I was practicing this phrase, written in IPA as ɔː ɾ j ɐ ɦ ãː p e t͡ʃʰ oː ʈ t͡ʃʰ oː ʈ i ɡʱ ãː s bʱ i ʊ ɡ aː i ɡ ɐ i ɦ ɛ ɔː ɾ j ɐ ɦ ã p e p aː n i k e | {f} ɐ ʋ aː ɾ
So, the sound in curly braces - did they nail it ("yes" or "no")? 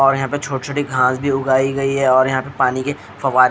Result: yes